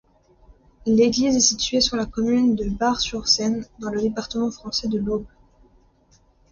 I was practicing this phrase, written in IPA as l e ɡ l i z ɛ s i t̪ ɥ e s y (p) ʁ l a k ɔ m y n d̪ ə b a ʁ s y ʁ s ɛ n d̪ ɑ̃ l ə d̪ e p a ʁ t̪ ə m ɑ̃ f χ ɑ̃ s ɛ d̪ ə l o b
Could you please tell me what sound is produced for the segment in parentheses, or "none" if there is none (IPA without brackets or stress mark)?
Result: none